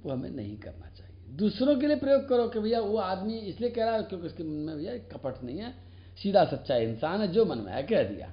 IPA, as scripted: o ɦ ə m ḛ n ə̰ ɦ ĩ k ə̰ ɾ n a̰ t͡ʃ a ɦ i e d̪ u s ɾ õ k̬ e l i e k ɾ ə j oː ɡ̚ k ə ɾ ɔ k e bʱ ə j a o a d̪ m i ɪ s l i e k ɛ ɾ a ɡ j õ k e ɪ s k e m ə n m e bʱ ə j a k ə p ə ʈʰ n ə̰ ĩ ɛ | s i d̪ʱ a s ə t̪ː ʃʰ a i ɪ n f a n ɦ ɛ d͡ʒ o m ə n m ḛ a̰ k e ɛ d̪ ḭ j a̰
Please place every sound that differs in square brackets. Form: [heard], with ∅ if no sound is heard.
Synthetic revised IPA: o ɦ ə m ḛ n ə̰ ɦ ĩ k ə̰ ɾ n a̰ t͡ʃ a ɦ i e d̪ u s ɾ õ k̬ e l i e [p] ɾ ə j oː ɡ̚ k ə ɾ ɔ k e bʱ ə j a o a d̪ m i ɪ s l i e k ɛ ɾ a [k] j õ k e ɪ s k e m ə n m e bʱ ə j a k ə p ə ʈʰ n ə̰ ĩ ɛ | s i d̪ʱ a s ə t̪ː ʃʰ a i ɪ n [s] a n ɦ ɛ d͡ʒ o m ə n m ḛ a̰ k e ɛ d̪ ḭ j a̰